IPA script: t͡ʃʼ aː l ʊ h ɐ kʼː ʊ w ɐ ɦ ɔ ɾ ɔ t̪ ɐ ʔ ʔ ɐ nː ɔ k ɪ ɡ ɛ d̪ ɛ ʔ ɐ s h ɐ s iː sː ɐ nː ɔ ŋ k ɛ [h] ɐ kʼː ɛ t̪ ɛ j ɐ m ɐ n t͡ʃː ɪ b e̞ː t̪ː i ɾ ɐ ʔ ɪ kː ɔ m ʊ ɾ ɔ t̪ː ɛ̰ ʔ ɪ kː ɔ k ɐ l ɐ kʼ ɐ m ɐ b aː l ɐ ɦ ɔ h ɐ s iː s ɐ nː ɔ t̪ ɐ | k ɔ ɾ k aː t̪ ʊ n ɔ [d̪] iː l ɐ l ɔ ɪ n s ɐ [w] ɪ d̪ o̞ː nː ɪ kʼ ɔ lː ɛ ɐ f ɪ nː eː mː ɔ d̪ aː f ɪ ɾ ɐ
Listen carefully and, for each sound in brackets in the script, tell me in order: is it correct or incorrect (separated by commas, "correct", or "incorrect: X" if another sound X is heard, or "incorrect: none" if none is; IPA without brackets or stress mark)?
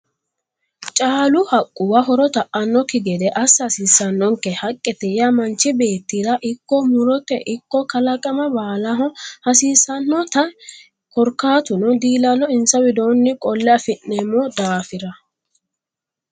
correct, correct, correct